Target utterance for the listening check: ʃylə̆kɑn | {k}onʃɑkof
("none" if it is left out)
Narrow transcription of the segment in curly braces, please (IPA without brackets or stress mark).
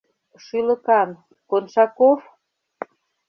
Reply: k